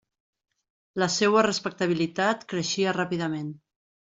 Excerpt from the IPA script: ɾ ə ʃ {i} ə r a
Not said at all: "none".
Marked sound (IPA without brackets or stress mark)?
i